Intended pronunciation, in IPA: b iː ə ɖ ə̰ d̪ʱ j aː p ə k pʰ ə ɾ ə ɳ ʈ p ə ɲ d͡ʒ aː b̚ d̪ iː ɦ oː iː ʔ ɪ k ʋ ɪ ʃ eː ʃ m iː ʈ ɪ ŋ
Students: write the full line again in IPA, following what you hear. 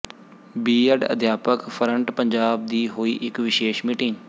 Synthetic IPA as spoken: b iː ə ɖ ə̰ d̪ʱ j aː p ə k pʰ ə ɾ ə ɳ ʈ p ə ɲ d͡ʒ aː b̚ d̪ iː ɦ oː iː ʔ ɪ k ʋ ɪ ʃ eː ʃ m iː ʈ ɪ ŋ